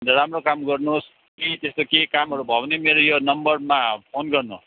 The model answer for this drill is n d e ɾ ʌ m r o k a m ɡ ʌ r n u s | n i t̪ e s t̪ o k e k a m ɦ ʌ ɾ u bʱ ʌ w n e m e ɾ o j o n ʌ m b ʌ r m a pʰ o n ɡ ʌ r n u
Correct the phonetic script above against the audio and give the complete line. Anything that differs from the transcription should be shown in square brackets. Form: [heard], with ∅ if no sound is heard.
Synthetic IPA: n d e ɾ [a] m r o k a m ɡ ʌ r n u s | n i t̪ e s t̪ o k e k a m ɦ ʌ ɾ u bʱ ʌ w n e m e ɾ o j o n ʌ m b ʌ r m a pʰ o n ɡ ʌ r n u